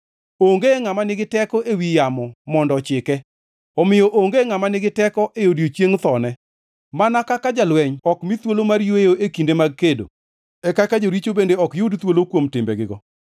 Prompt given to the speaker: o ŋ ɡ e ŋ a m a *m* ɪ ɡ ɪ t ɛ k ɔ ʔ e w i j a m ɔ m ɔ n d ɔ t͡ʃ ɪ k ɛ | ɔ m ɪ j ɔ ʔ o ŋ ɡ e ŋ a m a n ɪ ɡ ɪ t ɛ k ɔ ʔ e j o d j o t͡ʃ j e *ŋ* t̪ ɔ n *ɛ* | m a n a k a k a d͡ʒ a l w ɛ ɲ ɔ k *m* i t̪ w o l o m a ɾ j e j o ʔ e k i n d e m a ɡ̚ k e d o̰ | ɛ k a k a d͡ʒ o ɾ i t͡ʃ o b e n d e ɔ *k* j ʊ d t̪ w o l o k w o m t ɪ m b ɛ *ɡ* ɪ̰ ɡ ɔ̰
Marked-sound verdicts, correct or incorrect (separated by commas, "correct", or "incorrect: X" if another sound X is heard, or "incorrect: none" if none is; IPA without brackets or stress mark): incorrect: n, correct, correct, correct, correct, correct